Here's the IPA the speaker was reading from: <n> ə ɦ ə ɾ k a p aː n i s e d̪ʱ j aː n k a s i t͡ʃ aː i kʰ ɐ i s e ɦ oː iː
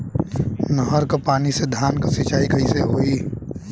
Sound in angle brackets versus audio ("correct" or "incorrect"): correct